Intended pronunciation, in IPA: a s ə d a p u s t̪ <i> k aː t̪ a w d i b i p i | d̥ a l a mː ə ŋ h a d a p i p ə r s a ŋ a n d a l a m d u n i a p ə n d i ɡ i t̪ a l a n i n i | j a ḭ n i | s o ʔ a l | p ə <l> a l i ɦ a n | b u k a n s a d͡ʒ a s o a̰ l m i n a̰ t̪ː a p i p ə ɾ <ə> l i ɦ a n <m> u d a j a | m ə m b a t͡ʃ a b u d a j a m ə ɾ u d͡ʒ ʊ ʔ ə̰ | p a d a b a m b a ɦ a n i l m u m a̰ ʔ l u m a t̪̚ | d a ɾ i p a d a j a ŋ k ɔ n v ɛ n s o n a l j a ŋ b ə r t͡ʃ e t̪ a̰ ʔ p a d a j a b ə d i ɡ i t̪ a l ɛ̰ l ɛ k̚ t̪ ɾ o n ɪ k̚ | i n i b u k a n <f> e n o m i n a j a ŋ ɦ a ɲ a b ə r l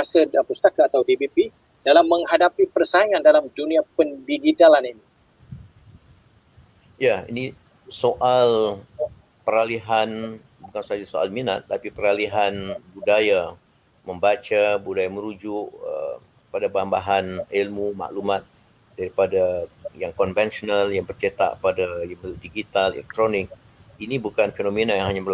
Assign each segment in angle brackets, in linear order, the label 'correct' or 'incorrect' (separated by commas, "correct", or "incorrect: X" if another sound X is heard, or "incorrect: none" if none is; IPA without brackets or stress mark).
incorrect: a, incorrect: ɾ, incorrect: a, incorrect: b, correct